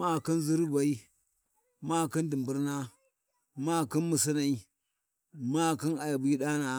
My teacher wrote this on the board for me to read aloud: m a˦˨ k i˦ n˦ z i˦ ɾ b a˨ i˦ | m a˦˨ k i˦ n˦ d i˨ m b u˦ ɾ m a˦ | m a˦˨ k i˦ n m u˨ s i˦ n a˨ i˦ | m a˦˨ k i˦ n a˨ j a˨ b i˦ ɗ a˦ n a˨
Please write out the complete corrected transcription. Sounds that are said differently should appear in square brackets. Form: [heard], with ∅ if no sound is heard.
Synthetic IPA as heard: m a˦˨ k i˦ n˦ z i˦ ɾ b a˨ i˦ | m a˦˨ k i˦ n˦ d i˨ m b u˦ ɾ [n] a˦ | m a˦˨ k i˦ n m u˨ s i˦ n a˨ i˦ | m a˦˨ k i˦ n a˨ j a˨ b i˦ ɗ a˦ n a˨

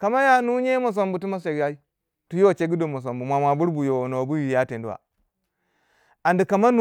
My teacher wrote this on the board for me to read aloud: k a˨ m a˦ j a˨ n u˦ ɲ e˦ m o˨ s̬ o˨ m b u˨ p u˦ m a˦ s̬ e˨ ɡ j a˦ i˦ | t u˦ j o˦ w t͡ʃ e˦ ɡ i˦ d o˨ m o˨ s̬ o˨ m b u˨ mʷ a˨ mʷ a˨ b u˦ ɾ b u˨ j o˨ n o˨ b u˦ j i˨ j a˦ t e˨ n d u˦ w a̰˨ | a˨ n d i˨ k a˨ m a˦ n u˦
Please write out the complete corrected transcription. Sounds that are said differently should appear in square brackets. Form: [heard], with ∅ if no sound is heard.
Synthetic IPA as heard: k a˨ m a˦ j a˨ n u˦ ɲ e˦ m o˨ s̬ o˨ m b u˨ [t] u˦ m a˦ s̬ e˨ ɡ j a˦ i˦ | t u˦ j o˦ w t͡ʃ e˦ ɡ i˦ d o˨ m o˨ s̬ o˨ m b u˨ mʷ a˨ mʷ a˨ b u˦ ɾ b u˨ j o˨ n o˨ b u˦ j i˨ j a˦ t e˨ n d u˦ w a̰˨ | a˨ n d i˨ k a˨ m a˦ n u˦

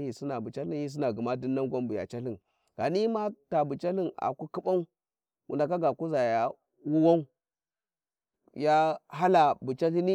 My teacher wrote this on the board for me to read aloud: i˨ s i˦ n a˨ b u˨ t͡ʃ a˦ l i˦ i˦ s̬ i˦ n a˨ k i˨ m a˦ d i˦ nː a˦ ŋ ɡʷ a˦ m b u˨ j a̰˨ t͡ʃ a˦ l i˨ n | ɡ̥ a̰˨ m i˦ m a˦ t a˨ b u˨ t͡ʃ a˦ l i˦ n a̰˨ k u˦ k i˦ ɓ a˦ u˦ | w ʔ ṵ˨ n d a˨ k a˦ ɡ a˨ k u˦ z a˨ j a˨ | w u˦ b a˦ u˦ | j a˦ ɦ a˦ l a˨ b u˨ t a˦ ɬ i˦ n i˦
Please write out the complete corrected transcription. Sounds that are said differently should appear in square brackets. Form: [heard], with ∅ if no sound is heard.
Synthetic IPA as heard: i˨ s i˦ n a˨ b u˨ t͡ʃ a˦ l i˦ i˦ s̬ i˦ n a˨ [ɡ] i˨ m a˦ d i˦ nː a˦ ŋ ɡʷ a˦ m b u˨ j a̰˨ t͡ʃ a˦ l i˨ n | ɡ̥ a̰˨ [n] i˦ m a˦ t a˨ b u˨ t͡ʃ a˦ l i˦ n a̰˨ k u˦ k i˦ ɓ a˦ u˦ | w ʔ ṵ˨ n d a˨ k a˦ ɡ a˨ k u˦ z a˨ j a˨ | w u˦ [w] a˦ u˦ | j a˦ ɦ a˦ l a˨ b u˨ [t͡ʃ] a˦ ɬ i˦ n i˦

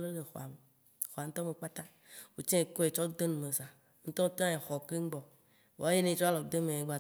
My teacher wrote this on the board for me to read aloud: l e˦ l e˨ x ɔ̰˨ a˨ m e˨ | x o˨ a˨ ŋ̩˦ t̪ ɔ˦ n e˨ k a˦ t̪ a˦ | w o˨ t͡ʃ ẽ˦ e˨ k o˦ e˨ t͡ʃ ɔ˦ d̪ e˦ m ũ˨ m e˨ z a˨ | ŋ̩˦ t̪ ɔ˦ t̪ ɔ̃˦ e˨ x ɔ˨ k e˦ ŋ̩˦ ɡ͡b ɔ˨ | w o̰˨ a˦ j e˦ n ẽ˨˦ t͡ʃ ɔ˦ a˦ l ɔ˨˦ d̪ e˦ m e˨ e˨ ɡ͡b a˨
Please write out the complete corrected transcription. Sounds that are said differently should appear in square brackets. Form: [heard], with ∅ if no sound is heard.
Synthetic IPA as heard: l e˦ l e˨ x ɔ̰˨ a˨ m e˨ | x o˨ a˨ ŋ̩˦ t̪ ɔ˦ [m] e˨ [k͡p] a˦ t̪ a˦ | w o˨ t͡ʃ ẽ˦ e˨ k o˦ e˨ t͡ʃ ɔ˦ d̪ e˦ [n] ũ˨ m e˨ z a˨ | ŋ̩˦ t̪ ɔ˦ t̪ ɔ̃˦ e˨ x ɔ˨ k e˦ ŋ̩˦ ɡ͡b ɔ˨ | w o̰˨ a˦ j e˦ n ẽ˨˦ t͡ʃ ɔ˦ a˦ l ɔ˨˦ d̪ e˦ m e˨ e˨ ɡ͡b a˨

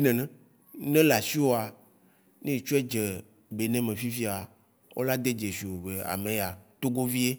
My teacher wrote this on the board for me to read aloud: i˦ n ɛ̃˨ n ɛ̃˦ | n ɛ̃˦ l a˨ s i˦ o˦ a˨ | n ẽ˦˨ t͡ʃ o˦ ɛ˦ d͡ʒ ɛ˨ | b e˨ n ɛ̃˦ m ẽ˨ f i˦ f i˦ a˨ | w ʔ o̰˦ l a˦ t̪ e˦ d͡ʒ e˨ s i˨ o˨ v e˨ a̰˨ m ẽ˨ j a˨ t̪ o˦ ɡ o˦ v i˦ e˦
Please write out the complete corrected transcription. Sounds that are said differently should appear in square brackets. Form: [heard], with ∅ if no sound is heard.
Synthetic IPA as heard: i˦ n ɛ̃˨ n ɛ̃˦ | n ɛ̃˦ l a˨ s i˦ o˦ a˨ | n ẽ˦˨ t͡ʃ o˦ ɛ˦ d͡ʒ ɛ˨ | b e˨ n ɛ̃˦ m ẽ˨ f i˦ f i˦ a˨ | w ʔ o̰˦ l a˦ [d̪] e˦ d͡ʒ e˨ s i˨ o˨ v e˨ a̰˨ m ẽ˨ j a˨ t̪ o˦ ɡ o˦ v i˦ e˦

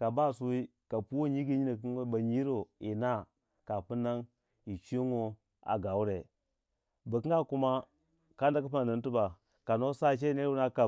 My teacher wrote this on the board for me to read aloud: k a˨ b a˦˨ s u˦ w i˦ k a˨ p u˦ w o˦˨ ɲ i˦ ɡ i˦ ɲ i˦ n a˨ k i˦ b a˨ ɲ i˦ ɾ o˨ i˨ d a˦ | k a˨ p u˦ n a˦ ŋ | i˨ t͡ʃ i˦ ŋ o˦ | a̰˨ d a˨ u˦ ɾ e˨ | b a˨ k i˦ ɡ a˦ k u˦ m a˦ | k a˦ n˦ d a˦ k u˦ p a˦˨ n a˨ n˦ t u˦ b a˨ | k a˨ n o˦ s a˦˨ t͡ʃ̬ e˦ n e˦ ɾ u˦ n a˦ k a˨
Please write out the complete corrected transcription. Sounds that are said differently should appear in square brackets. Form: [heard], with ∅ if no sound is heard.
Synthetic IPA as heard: k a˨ b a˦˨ s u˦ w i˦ k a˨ p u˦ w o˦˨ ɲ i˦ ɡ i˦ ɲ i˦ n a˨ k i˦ b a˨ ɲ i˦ ɾ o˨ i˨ [n] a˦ | k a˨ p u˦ n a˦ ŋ | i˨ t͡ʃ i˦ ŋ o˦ | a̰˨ [ɡ] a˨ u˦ ɾ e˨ | b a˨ k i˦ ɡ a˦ k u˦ m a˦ | k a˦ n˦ d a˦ k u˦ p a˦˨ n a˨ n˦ t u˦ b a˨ | k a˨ n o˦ s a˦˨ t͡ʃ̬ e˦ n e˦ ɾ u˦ n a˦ k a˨

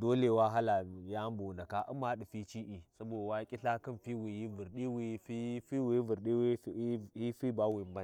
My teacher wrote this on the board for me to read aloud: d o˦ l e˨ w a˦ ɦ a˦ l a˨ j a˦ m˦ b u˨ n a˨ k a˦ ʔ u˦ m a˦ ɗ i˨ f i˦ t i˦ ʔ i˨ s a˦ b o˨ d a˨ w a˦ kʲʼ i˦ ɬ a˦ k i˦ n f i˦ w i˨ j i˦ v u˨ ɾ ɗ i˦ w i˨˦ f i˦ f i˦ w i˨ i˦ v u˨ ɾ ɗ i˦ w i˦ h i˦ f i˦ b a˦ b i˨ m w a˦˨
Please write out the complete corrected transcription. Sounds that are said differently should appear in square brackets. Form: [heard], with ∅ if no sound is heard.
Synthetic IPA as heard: d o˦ l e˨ w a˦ ɦ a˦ l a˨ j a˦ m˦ b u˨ n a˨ k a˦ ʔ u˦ m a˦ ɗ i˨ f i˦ [t͡ʃ] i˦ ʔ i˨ s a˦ b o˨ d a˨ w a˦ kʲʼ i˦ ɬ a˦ k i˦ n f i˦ w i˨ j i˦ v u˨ ɾ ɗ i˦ w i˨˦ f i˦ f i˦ w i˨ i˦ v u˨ ɾ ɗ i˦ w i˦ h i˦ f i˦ b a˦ [w] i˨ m [b] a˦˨

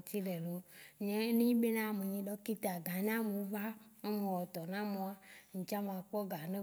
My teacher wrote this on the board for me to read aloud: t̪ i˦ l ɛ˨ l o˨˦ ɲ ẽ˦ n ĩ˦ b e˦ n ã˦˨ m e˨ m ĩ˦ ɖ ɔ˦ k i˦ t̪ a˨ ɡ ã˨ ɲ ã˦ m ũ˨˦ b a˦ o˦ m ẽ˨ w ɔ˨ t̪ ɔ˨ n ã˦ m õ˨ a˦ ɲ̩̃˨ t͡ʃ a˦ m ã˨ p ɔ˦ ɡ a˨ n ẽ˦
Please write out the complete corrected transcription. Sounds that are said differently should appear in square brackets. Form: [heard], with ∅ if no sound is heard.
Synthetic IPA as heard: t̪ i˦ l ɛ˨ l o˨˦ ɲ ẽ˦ n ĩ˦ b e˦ n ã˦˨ m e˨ [ɲ] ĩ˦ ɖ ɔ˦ k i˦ t̪ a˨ ɡ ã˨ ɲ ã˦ m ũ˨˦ [v] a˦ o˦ m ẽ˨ w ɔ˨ t̪ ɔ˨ n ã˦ m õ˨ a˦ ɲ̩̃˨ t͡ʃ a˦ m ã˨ [k͡p] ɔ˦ ɡ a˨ n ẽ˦

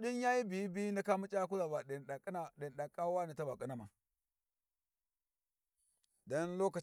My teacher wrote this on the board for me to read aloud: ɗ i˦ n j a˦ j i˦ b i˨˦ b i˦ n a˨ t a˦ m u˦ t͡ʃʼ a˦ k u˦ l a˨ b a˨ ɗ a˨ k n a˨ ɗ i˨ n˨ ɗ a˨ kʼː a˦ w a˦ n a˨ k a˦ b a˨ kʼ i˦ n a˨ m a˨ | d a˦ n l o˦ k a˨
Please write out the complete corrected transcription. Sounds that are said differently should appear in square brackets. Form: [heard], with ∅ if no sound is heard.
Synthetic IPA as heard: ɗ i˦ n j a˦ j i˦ b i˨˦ b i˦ n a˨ [k] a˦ m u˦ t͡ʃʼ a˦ k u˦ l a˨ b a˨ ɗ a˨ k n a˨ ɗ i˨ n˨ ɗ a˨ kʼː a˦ w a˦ n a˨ [t] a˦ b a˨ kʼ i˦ n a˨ m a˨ | d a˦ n l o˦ k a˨

